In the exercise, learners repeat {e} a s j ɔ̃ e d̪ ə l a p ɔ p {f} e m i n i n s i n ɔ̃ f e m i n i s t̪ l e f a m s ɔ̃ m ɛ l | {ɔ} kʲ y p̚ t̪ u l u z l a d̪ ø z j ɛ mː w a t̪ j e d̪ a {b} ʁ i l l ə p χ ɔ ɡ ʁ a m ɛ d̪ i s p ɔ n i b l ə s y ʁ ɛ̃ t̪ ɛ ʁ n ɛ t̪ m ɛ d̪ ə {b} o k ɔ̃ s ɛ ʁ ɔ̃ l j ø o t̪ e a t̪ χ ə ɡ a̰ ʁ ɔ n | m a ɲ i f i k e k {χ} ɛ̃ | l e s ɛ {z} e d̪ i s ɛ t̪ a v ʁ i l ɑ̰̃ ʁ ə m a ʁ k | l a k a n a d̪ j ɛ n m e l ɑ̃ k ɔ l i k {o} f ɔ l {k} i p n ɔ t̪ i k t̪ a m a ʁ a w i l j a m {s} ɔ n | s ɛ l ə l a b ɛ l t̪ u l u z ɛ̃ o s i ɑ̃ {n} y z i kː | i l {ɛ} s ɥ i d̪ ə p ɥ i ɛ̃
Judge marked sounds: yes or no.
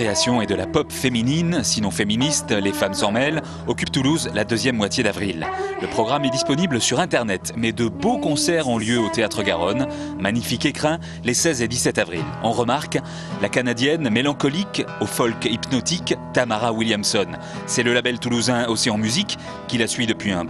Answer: yes, yes, yes, no, yes, yes, yes, yes, yes, yes, no, no

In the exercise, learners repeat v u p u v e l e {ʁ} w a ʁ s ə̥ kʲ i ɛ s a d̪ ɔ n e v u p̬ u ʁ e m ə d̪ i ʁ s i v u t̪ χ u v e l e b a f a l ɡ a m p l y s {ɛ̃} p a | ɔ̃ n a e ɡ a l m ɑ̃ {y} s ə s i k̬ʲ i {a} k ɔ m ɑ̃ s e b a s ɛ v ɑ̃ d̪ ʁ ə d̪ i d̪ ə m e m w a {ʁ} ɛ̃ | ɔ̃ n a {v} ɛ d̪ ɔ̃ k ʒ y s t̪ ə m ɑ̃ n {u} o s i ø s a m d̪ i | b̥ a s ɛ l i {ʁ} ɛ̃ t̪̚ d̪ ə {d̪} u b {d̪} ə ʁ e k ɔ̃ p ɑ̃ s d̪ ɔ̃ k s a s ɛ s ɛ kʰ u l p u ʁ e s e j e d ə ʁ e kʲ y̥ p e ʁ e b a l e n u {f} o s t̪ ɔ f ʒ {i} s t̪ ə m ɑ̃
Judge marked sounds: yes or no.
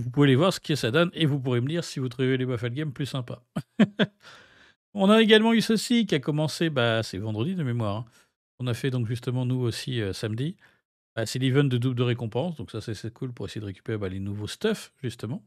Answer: no, yes, yes, yes, yes, no, yes, no, yes, yes, no, no

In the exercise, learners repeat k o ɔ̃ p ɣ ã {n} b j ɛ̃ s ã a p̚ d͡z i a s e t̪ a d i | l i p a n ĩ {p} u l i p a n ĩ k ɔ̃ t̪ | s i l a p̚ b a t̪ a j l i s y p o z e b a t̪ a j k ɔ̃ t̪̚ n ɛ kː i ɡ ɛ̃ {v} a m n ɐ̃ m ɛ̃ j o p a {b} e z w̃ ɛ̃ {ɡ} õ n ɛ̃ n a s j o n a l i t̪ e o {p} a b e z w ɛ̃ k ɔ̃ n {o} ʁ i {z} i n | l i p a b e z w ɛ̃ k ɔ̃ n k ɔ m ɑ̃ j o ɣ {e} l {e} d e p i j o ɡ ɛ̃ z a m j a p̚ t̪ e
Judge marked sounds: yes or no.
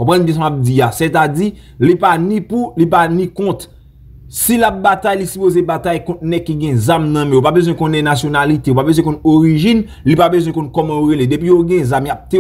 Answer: yes, yes, no, yes, no, yes, yes, no, yes, yes

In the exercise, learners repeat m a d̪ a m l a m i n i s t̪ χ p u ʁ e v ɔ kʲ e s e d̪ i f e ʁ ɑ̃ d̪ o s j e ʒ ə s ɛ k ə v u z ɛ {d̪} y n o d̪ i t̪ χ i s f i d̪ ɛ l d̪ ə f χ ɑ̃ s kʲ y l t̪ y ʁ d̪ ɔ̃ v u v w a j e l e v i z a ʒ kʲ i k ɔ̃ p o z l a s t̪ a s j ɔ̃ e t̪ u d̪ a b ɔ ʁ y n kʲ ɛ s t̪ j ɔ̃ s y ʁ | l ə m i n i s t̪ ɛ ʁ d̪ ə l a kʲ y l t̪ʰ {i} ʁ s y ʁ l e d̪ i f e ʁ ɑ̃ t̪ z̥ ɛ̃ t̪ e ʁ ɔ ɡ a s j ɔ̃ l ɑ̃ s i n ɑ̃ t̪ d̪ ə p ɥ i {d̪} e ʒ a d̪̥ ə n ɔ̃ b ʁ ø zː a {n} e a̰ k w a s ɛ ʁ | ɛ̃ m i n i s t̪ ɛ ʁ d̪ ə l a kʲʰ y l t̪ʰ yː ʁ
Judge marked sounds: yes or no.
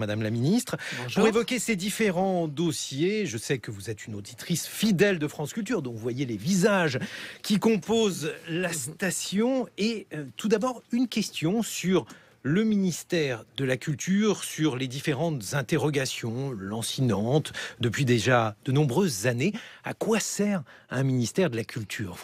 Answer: no, no, yes, yes

